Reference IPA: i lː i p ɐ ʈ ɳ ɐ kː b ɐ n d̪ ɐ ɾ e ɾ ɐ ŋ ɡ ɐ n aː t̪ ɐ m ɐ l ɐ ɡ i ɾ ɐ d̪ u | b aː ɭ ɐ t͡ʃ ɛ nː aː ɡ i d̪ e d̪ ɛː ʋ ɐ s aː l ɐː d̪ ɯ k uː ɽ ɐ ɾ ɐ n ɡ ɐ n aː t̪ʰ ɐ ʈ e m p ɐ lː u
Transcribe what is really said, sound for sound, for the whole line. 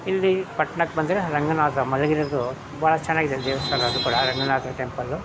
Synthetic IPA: i lː i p ɐ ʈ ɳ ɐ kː b ɐ n d̪ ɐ ɾ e ɾ ɐ ŋ ɡ ɐ n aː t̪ ɐ m ɐ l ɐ ɡ i ɾ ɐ d̪ u | b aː ɭ ɐ t͡ʃ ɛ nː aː ɡ i d̪ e d̪ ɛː ʋ ɐ s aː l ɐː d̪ u k uː ɽ ɐ ɾ ɐ ŋ ɡ ɐ n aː t̪ ɐ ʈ e m p ɐ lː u